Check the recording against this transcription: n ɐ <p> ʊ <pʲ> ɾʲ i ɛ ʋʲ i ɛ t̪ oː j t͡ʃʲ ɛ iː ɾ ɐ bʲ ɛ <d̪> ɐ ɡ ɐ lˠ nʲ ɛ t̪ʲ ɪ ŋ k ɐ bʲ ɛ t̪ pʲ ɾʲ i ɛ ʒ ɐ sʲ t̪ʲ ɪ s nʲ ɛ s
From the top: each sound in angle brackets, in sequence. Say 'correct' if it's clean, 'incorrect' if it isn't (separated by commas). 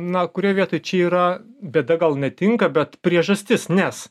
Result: incorrect, incorrect, correct